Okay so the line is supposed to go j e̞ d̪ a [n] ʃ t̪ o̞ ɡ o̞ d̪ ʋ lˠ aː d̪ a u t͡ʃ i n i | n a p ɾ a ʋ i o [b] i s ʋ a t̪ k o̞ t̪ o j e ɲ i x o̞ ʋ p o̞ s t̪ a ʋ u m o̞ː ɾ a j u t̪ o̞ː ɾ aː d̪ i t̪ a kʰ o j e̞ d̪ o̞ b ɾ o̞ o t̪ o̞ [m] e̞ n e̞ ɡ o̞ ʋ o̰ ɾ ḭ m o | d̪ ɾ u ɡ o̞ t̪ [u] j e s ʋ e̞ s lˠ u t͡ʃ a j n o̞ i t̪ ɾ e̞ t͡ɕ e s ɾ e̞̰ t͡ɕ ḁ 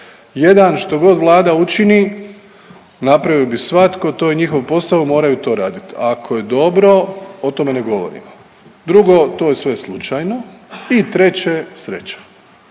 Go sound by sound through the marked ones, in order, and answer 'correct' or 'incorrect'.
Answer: correct, correct, correct, incorrect: o

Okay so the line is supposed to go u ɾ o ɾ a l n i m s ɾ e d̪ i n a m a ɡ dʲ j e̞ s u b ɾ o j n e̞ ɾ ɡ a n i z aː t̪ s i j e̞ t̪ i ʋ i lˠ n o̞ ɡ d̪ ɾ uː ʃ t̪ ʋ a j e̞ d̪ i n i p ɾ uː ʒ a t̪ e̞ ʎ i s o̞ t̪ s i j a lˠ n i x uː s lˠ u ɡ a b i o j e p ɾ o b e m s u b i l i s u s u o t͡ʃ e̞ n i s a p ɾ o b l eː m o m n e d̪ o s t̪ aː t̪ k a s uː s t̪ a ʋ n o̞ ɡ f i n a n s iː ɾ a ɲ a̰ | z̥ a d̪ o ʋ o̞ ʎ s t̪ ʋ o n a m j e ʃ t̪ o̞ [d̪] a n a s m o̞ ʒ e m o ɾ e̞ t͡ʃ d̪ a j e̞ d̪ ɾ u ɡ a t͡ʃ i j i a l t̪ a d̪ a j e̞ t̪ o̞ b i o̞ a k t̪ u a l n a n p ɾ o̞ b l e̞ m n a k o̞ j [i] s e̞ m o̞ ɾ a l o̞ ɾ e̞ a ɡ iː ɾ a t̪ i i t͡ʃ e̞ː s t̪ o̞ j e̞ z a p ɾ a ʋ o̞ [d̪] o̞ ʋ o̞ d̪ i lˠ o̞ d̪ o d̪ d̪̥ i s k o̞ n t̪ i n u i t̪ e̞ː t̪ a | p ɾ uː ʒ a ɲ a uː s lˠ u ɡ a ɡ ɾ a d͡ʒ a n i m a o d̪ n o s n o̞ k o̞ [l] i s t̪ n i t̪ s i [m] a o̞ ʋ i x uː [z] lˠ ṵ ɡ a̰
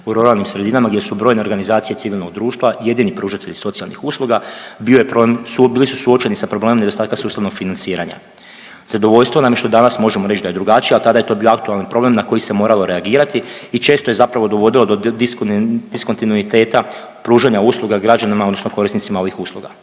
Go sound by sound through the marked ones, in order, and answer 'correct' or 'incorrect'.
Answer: correct, correct, correct, incorrect: ɾ, correct, incorrect: s

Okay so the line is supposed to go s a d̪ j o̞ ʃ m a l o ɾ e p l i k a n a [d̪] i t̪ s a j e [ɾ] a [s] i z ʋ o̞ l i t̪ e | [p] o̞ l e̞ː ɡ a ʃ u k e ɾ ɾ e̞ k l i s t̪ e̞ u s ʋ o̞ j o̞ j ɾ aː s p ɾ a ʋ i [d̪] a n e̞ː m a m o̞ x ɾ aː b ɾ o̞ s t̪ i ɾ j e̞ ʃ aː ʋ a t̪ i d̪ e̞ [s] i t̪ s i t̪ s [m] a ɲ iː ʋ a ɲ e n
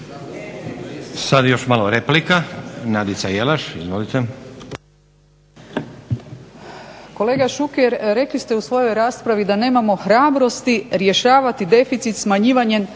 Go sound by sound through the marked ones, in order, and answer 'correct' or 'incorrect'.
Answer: correct, incorrect: l, incorrect: ʃ, incorrect: k, correct, incorrect: f, correct

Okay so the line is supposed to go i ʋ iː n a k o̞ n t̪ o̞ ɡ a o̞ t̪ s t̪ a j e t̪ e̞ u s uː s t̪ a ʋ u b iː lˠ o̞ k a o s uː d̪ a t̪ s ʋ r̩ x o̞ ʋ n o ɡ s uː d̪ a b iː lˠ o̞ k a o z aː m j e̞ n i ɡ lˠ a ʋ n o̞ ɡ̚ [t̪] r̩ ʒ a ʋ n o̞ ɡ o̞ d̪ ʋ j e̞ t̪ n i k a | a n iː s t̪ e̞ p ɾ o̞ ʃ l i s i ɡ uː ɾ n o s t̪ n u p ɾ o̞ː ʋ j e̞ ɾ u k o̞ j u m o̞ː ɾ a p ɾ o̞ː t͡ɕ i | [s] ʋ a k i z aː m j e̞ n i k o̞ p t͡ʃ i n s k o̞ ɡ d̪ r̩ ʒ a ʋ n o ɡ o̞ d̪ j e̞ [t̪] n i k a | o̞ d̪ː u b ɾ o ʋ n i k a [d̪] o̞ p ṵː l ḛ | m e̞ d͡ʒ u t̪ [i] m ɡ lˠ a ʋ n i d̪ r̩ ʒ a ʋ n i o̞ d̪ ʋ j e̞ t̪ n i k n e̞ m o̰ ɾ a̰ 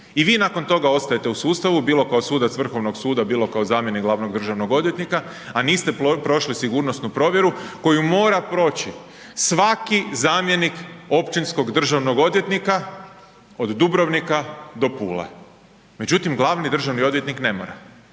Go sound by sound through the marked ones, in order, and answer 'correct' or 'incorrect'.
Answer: incorrect: d̪, correct, correct, correct, correct

